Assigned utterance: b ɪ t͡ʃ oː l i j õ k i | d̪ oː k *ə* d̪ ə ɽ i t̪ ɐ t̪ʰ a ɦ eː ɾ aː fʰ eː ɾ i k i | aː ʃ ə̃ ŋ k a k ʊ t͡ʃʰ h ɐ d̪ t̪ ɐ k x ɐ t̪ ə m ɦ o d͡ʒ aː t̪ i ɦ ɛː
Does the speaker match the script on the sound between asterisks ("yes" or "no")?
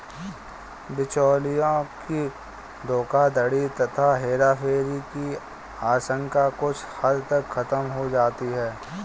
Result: no